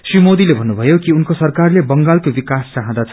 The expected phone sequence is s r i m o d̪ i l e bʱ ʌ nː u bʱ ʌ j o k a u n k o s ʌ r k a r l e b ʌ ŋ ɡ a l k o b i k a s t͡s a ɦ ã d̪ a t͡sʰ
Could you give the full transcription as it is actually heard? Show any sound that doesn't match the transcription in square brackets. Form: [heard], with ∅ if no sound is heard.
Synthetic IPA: s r i m o d̪ i l e bʱ ʌ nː u bʱ ʌ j o k [i] u n k o s ʌ r k a r l e b ʌ ŋ ɡ a l k o b i k a s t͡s a ɦ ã d̪ a t͡sʰ